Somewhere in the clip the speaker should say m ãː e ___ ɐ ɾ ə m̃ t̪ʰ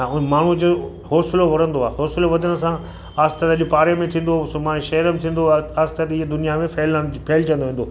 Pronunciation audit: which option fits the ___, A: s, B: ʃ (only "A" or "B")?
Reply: B